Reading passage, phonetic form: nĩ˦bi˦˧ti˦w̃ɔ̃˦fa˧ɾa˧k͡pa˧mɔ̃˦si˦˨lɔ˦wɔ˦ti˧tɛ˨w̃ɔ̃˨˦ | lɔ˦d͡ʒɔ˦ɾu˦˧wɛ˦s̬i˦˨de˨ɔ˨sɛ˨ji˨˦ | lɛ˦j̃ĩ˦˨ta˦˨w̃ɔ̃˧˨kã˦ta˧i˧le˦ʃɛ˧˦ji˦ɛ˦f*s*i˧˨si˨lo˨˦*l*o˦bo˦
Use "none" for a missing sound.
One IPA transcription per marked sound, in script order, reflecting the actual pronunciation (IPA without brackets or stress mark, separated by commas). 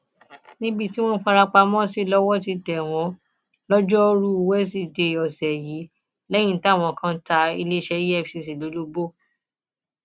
s, l